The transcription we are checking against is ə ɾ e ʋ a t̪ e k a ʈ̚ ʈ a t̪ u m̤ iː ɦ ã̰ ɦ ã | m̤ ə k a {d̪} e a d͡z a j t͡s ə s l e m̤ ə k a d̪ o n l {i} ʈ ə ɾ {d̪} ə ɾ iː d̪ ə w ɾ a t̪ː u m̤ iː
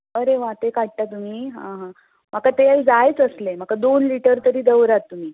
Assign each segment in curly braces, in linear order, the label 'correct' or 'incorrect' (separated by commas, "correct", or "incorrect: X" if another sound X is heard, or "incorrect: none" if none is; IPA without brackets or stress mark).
incorrect: t̪, correct, incorrect: t̪